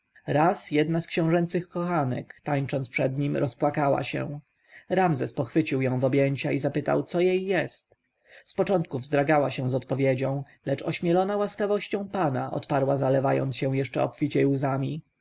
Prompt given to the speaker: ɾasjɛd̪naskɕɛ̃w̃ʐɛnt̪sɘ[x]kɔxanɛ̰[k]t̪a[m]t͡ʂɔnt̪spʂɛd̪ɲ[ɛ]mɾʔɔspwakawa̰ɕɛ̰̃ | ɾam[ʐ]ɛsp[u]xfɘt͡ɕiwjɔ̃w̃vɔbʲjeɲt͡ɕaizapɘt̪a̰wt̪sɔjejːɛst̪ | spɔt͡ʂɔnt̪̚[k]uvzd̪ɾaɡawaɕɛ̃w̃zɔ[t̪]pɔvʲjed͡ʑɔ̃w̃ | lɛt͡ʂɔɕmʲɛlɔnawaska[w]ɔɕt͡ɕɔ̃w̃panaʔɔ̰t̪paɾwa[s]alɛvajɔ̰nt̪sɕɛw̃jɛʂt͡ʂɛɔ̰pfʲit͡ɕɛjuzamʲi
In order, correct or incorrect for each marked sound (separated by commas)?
correct, correct, incorrect, incorrect, incorrect, incorrect, correct, correct, incorrect, incorrect